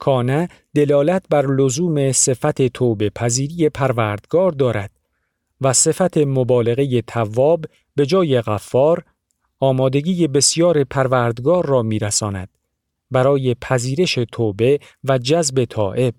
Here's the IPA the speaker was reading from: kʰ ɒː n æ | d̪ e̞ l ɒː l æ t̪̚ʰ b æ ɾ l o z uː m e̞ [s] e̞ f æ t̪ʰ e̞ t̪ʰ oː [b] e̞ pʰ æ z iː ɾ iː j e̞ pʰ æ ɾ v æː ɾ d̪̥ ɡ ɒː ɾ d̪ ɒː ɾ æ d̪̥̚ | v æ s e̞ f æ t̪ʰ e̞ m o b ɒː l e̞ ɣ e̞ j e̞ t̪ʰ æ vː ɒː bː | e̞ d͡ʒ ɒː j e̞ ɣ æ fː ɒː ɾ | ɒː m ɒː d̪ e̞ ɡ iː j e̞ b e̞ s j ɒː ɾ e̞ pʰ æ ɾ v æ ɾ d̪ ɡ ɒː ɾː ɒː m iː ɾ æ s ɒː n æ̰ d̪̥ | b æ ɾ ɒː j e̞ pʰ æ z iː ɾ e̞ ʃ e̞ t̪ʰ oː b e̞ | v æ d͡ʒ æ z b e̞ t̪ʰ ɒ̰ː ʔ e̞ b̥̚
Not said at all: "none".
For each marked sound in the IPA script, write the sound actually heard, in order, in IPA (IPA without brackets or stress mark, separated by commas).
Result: s, b